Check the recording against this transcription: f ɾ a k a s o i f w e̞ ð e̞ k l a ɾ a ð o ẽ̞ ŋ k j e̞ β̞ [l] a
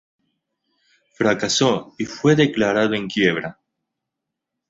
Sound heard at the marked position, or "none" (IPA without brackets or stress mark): ɾ